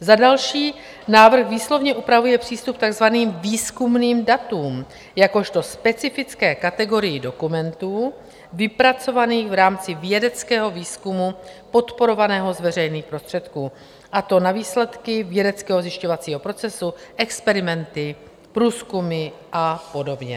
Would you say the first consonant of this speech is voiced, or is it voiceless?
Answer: voiced